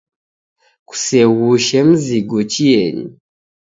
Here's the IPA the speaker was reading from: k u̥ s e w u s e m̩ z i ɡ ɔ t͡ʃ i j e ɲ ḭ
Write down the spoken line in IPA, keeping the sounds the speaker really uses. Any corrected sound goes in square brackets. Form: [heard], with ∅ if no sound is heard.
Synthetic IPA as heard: k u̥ s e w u [ʃ] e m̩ z i ɡ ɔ t͡ʃ i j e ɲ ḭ